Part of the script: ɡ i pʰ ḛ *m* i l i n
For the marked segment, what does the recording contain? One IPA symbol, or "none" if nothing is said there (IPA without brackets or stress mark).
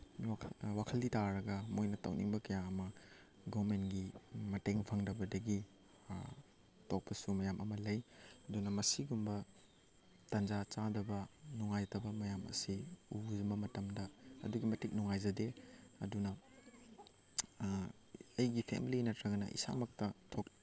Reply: m